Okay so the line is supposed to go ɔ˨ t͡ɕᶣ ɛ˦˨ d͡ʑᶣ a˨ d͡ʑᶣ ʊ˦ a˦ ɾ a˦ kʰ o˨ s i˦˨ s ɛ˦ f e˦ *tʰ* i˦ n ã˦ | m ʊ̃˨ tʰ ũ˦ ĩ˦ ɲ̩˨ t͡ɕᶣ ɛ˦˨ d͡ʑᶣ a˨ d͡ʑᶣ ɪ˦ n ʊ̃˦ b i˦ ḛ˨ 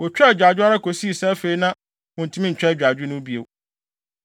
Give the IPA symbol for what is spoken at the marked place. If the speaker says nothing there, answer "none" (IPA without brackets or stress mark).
none